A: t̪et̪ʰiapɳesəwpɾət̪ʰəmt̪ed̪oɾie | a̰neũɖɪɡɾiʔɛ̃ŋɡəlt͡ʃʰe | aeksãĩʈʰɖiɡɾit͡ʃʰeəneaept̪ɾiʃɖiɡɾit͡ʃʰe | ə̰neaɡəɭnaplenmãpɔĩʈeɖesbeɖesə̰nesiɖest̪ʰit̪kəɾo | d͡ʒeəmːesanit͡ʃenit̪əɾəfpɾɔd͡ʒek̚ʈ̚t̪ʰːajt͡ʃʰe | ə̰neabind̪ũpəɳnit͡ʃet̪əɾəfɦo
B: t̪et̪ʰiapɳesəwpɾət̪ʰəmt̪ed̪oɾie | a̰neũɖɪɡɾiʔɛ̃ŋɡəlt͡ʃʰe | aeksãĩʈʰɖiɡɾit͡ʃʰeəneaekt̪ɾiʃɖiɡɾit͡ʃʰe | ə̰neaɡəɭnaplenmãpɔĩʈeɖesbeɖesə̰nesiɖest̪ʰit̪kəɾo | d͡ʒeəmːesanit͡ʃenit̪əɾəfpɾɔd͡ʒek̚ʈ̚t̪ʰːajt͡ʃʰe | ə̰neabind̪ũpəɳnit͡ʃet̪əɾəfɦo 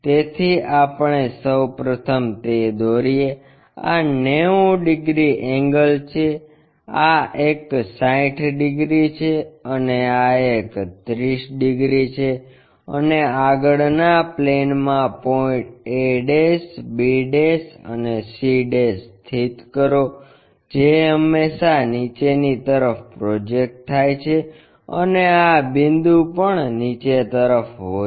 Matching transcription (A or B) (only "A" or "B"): B